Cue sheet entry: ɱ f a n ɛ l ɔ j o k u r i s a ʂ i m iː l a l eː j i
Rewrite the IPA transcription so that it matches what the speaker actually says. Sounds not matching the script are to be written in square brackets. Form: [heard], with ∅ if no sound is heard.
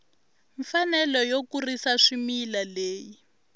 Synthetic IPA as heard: ɱ f a n ɛ l ɔ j o k u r i s a ʂ i m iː l a l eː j i